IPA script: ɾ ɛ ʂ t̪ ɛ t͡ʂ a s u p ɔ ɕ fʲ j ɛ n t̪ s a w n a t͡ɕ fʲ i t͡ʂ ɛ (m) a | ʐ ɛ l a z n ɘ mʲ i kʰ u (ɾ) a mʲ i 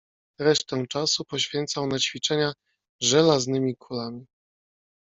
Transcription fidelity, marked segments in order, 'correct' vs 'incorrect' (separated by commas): incorrect, incorrect